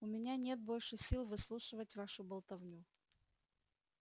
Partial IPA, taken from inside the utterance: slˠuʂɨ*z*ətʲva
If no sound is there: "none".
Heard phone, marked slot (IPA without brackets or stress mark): v